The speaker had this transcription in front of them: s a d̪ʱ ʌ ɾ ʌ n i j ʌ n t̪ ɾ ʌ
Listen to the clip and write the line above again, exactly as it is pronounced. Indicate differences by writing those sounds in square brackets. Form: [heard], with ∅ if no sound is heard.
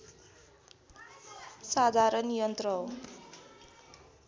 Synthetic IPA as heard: s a d̪ʱ [a] ɾ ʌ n i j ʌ n t̪ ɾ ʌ